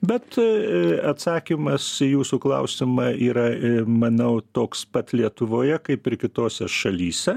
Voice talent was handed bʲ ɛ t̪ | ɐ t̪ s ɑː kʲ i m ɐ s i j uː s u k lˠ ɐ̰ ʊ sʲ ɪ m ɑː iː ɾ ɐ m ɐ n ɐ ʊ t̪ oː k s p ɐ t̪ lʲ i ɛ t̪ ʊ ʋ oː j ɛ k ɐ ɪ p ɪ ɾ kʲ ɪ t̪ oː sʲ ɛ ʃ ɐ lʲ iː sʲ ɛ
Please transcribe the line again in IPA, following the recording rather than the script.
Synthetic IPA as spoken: bʲ ɛ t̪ | ɐ t̪ s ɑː kʲ i m ɐ s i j uː s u k lˠ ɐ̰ ʊ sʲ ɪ m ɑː iː ɾ ɐ m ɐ n ɐ ʊ t̪ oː k s p ɐ t̪ lʲ i ɛ t̪ ʊ ʋ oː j ɛ k ɐ ɪ p ɪ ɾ kʲ ɪ t̪ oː sʲ ɛ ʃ ɐ lʲ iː sʲ ɛ